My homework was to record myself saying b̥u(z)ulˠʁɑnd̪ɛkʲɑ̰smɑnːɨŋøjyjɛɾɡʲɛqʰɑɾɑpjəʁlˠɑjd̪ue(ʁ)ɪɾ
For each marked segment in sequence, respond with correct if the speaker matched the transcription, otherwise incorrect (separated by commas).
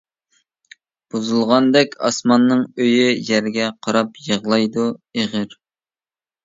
correct, correct